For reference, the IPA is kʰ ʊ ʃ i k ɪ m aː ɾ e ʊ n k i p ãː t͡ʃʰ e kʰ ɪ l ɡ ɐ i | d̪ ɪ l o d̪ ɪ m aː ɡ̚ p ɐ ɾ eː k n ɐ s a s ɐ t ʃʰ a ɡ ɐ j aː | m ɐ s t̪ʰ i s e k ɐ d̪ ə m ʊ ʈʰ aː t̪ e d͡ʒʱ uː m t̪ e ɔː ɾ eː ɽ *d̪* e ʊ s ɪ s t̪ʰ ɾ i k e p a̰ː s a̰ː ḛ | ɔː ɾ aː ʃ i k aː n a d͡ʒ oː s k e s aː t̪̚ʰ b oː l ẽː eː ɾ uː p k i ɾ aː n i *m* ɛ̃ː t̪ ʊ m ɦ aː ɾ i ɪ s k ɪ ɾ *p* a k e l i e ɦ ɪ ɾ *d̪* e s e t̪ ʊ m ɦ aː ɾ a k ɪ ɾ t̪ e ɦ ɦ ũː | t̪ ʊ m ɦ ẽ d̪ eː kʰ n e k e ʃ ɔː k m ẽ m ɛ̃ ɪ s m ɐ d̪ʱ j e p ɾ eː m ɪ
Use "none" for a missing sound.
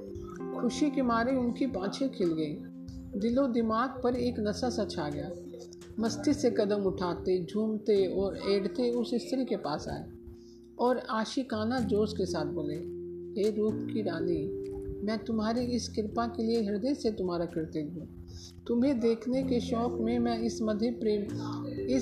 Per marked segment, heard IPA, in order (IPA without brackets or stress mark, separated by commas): t̪, m, p, d̪